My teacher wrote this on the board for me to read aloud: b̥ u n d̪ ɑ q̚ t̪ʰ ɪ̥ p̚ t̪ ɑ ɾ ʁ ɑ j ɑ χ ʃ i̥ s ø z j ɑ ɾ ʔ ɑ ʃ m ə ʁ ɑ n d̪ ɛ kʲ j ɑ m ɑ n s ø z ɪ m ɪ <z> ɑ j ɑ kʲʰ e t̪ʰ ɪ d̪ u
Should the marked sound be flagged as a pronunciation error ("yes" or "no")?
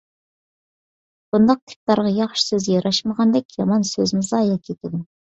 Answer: no